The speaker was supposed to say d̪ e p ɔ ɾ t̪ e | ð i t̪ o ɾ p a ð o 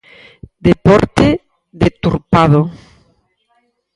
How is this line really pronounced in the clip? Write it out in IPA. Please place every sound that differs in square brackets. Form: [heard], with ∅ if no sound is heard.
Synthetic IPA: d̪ e p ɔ ɾ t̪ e | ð [e] t̪ [u] ɾ p a ð o